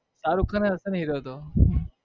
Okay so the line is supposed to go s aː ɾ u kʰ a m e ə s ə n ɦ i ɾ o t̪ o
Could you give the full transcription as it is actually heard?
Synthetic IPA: s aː ɾ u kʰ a n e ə s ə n ɦ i ɾ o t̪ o